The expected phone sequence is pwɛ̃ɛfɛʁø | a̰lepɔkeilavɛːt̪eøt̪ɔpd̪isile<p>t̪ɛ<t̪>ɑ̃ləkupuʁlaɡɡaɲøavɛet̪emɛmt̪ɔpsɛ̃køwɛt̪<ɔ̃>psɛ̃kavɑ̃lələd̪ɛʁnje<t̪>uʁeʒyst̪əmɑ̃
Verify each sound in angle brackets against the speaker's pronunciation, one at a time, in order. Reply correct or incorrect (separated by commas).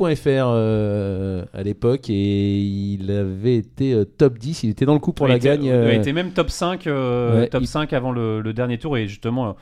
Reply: incorrect, incorrect, incorrect, correct